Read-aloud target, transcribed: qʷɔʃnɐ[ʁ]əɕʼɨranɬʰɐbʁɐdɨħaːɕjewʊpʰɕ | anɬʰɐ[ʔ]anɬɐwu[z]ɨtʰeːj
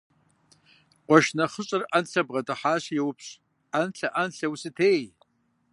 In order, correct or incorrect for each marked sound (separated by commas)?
incorrect, correct, incorrect